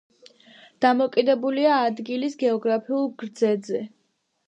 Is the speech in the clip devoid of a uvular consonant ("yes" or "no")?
yes